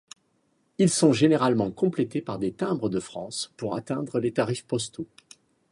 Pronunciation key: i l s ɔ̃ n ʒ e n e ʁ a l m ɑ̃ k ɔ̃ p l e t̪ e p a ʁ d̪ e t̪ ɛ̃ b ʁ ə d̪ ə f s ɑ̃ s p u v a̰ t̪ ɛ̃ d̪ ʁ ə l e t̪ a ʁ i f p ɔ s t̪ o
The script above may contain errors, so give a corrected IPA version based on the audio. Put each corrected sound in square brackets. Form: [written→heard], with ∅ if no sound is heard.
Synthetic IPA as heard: i l s ɔ̃ [n→∅] ʒ e n e ʁ a l m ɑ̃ k ɔ̃ p l e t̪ e p a ʁ d̪ e t̪ ɛ̃ b ʁ ə d̪ ə f [s→χ] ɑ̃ s p u [v→ʁ] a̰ t̪ ɛ̃ d̪ ʁ ə l e t̪ a ʁ i f p ɔ s t̪ o